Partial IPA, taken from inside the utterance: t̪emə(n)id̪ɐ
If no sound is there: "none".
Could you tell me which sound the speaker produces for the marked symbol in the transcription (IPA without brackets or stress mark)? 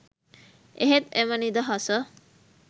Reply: n